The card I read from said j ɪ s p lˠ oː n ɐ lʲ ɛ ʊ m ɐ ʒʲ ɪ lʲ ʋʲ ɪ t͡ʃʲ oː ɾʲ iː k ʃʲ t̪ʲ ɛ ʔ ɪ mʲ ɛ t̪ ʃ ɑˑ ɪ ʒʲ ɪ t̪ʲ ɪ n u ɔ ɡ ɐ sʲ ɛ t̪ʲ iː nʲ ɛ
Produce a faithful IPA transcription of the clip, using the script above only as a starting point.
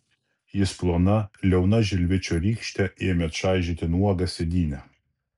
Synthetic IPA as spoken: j ɪ s p lˠ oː n ɐ lʲ ɛ ʊ n ɐ ʒʲ ɪ lʲ ʋʲ ɪ t͡ʃʲ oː ɾʲ iː k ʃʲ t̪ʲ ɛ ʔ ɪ mʲ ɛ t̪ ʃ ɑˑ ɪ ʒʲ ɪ t̪ʲ ɪ n u ɔ ɡ ɐ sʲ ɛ d̪ʲ iː nʲ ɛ